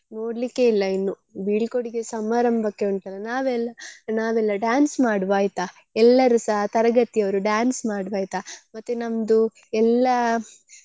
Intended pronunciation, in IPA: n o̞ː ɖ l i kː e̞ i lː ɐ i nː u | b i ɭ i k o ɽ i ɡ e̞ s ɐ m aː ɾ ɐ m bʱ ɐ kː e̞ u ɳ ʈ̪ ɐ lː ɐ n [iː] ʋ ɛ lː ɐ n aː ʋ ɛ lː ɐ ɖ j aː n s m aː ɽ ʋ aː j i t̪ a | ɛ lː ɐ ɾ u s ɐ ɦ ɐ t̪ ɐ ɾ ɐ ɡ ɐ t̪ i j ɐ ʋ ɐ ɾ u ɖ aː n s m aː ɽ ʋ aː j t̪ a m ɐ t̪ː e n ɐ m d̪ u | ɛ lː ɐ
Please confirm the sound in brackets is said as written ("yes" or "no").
no